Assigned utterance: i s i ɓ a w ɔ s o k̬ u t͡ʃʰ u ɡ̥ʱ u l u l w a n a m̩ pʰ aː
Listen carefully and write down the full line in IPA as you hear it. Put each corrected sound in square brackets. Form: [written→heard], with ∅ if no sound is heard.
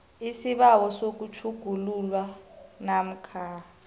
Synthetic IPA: i s i ɓ a w ɔ s o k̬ u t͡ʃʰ u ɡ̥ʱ u l u l w a n a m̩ [pʰ→kʰ] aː